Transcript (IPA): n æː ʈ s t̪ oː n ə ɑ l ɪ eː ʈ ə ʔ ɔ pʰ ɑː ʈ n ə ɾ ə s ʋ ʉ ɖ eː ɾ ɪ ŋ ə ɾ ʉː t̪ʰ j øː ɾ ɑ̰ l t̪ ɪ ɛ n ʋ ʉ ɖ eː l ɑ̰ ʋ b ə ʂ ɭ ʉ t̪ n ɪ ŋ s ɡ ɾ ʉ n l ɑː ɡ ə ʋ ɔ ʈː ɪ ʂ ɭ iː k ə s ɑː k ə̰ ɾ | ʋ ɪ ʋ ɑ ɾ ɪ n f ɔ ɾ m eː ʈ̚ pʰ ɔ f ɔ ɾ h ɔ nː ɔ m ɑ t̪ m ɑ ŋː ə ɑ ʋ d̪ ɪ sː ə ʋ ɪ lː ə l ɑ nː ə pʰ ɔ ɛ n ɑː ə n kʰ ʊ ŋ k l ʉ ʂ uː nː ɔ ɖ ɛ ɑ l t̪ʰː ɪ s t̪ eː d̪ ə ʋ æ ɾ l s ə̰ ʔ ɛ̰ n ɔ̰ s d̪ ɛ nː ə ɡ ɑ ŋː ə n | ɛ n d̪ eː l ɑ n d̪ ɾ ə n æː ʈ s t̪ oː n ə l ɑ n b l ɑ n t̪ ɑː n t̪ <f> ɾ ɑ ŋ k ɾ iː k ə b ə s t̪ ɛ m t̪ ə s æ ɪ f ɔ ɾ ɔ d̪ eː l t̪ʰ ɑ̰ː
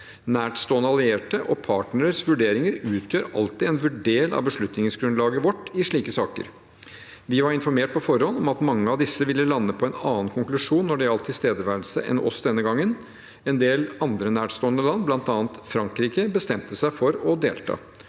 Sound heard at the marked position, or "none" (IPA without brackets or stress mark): f